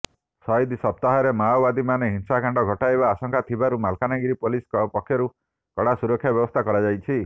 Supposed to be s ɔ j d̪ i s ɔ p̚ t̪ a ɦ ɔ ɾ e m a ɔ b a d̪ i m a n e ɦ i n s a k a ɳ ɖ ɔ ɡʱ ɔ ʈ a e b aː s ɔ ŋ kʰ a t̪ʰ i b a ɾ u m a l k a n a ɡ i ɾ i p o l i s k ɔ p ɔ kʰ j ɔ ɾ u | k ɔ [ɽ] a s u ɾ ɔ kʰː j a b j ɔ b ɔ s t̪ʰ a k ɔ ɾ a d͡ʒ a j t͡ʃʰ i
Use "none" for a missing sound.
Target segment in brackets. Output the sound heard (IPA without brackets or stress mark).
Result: ɽ